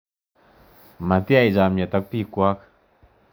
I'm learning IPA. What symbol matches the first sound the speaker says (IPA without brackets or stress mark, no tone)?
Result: m